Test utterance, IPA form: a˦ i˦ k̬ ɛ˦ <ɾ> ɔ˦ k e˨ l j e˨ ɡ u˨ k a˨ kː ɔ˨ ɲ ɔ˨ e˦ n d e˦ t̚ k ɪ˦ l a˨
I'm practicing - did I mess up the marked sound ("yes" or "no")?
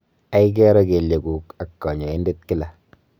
no